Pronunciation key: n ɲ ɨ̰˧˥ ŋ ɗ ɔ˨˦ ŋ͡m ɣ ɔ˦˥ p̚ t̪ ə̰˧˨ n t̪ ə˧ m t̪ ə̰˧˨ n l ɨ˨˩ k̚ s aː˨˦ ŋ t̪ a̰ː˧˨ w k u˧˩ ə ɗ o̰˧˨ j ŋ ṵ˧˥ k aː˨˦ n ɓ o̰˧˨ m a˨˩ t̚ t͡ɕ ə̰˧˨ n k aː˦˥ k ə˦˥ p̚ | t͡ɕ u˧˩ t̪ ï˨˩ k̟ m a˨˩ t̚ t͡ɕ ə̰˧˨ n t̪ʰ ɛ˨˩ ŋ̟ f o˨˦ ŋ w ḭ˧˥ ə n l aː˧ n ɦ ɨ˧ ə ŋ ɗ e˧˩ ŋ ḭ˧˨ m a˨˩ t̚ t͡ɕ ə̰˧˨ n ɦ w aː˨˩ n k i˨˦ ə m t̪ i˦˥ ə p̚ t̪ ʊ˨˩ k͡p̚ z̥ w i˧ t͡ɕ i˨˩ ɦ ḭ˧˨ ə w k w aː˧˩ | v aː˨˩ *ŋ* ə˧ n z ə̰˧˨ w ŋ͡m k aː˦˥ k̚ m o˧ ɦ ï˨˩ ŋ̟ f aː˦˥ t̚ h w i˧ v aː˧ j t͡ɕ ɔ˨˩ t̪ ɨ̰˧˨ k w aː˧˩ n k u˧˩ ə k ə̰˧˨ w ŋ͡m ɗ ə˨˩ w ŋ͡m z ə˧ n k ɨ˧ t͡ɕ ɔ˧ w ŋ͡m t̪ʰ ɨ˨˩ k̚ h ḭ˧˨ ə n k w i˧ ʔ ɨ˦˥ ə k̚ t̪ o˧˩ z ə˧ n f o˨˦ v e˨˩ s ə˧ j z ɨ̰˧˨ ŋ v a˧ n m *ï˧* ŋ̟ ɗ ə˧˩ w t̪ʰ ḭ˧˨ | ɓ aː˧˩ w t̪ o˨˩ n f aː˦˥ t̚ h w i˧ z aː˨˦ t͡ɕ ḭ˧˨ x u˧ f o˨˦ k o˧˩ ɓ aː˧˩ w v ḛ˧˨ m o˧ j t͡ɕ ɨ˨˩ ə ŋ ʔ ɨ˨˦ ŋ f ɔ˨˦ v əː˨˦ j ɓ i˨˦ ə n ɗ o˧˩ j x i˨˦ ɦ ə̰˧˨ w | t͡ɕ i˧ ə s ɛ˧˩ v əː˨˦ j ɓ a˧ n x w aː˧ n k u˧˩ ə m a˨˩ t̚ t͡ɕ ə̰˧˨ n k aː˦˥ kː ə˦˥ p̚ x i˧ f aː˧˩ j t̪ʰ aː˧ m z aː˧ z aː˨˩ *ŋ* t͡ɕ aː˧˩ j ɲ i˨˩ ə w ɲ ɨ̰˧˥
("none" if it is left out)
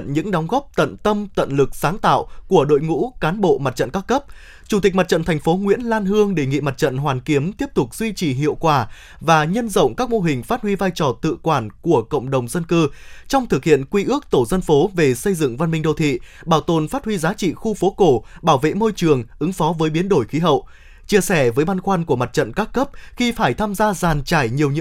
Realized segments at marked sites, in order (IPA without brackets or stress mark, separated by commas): ɲ, ï˧, n